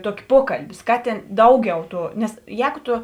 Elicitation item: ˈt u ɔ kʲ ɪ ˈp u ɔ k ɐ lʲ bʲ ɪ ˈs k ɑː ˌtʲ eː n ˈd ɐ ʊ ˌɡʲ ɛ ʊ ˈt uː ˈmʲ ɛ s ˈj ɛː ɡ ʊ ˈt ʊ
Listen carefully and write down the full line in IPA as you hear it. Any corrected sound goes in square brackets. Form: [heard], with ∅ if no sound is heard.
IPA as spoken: ˈt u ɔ kʲ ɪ ˈp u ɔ k ɐ lʲ bʲ ɪ ˈs k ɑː ˌtʲ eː n ˈd ɐ ʊ ˌɡʲ ɛ ʊ ˈt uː [ˈnʲ] ɛ s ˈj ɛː ɡ ʊ ˈt ʊ